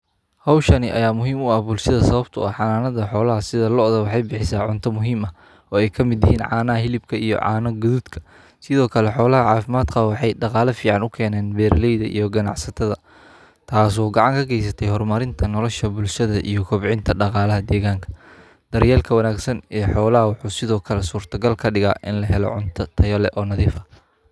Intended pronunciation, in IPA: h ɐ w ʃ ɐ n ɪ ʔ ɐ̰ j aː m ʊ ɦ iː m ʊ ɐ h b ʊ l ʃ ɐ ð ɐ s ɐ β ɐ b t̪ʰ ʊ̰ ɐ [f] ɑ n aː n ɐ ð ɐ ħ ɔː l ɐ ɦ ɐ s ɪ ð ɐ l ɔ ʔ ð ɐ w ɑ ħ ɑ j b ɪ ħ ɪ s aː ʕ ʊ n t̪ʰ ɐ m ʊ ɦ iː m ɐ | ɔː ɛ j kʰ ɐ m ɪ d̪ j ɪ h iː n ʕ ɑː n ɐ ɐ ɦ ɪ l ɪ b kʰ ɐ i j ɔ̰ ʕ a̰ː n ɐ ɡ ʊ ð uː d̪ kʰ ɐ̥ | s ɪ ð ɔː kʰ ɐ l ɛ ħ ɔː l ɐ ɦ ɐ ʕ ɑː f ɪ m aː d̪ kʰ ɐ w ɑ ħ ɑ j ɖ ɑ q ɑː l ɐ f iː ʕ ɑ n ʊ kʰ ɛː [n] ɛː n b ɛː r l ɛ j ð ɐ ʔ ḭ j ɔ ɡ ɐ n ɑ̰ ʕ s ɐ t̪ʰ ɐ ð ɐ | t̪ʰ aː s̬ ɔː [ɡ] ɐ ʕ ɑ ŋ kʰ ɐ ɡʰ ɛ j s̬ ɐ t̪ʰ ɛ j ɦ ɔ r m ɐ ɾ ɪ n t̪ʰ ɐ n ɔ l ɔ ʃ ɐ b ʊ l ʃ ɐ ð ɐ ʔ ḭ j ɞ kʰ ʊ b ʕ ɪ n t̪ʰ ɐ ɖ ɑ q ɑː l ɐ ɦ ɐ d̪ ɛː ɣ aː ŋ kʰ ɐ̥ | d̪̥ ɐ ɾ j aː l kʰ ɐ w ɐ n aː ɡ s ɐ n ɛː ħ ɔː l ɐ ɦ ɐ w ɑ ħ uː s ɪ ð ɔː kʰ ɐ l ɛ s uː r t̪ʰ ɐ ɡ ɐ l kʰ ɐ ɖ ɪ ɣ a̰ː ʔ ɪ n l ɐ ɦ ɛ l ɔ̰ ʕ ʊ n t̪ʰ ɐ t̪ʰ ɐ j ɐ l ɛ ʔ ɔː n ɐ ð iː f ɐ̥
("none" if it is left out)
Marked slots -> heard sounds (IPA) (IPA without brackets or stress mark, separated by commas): ħ, n, ɡ